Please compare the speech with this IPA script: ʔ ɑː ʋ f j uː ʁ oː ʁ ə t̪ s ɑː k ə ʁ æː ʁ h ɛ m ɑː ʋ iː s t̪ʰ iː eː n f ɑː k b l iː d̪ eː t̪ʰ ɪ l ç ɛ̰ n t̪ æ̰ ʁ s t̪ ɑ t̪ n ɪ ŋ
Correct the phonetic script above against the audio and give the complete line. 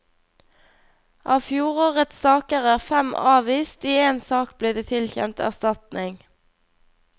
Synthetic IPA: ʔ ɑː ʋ f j uː ʁ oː ʁ ə t̪ s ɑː k ə ʁ æː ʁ f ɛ m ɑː ʋ iː s t̪ iː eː n s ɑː k b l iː d̪ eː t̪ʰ ɪ l ç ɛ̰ n t̪ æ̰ ʁ s t̪ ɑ t̪ n ɪ ŋ